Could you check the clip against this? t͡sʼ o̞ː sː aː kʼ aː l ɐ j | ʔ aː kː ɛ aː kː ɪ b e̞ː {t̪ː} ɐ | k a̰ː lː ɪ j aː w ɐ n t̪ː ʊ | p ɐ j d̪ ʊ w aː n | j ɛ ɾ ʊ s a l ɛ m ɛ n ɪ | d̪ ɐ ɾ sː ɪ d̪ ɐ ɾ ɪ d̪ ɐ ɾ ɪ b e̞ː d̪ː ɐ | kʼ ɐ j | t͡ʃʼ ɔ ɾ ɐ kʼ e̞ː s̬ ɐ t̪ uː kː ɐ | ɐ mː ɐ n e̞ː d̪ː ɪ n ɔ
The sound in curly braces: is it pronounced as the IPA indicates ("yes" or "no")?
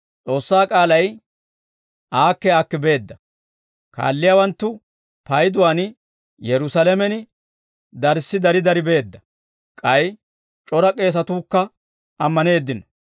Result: no